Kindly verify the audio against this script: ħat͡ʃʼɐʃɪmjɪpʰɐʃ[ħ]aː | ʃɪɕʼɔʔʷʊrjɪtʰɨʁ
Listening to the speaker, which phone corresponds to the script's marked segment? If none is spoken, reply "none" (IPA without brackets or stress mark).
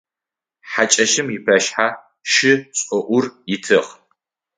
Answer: ħ